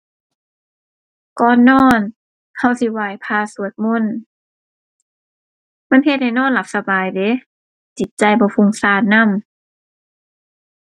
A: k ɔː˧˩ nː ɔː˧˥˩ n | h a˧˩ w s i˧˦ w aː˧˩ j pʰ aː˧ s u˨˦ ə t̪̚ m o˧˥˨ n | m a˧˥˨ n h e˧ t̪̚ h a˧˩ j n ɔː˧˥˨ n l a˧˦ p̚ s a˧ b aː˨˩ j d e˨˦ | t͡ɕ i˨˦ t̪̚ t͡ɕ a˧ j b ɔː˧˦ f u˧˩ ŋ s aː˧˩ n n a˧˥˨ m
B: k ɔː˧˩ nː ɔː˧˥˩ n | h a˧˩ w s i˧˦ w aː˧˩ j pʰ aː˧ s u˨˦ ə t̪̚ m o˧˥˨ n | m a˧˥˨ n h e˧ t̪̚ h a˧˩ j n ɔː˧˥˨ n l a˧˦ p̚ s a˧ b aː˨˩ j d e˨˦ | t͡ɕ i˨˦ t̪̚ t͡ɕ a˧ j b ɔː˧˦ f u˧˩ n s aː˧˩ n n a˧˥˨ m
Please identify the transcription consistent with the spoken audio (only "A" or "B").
A